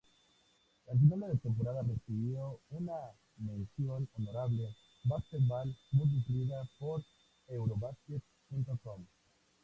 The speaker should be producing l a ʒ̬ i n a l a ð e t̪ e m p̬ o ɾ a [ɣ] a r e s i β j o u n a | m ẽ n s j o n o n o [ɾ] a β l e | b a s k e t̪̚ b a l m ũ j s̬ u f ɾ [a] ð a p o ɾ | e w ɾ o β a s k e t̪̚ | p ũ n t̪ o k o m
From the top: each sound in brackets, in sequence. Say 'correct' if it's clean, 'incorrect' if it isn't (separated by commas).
incorrect, correct, incorrect